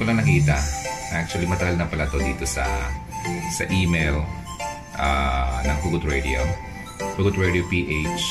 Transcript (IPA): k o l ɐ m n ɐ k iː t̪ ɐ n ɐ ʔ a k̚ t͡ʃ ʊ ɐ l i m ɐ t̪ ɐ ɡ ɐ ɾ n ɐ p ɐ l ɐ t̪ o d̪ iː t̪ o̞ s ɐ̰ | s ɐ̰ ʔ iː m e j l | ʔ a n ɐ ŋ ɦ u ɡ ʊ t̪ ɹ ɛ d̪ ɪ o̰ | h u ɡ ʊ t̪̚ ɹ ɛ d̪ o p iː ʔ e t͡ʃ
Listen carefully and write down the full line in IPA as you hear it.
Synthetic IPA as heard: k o l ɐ ŋ n ɐ k iː t̪ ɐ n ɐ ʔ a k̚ t͡ʃ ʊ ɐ l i m ɐ t̪ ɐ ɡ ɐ l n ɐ p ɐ l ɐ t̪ o d̪ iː t̪ o̞ s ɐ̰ | s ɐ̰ ʔ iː m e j l | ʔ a n ɐ ŋ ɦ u ɡ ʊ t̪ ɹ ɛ d̪ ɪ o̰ | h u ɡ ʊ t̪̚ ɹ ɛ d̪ o p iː ʔ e t͡ʃ